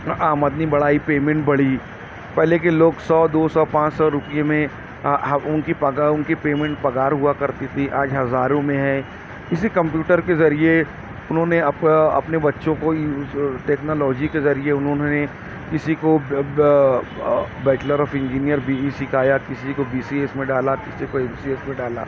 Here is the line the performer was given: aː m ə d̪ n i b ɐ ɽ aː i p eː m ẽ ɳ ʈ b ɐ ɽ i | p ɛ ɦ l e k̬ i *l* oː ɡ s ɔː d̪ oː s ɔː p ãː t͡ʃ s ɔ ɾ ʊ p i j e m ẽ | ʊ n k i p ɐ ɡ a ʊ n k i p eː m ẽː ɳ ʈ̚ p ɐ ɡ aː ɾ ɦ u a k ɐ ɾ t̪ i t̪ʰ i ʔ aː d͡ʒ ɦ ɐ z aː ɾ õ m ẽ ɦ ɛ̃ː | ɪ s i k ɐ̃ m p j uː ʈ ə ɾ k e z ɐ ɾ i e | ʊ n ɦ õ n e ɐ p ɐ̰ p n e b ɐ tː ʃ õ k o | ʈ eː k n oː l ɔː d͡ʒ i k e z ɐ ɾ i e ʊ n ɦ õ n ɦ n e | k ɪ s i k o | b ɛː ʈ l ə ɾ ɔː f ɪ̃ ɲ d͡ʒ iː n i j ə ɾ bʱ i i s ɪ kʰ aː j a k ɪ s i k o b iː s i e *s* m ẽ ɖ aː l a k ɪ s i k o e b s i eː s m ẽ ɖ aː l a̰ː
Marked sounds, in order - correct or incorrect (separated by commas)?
correct, correct